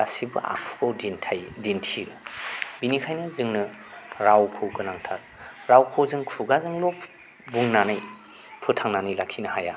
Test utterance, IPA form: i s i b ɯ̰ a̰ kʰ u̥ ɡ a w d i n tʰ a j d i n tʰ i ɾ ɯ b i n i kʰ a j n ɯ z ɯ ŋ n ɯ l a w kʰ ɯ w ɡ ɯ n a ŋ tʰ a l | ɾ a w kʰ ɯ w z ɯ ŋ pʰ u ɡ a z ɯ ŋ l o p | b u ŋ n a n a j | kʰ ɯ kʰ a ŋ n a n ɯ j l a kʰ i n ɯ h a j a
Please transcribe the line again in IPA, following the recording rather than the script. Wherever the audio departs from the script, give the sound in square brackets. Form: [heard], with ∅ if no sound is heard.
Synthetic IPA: [a] s i b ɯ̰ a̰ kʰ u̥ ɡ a w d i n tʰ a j d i n tʰ i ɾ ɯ b i n i kʰ a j n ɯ z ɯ ŋ n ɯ [ɾ] a w kʰ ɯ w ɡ ɯ n a ŋ tʰ a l | ɾ a w kʰ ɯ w z ɯ ŋ [kʰ] u ɡ a z ɯ ŋ l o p | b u ŋ n a n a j | [pʰ] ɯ [tʰ] a ŋ n a n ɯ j l a kʰ i n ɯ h a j a